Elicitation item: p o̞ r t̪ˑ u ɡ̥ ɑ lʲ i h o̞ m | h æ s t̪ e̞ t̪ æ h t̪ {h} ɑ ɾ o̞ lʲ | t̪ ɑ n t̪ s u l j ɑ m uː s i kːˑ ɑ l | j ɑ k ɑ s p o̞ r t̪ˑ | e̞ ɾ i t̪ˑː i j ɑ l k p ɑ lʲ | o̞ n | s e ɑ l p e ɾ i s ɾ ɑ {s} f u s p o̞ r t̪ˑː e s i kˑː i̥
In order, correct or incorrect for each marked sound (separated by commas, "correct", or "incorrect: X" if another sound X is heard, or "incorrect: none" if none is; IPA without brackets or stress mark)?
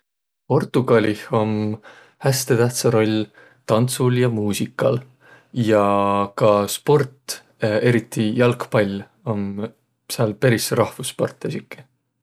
incorrect: s, incorrect: h